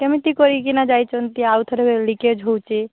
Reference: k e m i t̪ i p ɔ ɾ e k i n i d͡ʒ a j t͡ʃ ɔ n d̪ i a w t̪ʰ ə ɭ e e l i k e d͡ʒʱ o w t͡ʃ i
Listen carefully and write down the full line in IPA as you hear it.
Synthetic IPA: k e m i t̪ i k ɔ ɾ i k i n a d͡ʒ a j t͡ʃ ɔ n t̪ i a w t̪ʰ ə ɾ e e l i k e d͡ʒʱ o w t͡ʃ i